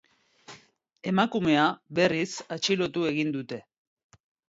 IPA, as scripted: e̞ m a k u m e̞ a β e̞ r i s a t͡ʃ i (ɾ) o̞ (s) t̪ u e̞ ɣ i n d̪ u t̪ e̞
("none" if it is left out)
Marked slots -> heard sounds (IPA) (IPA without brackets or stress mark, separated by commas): l, none